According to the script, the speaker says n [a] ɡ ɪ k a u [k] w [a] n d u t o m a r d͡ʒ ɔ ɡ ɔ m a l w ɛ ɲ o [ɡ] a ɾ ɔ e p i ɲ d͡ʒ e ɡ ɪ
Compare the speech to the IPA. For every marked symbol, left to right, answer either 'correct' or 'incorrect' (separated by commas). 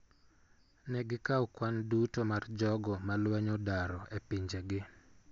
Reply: incorrect, correct, correct, incorrect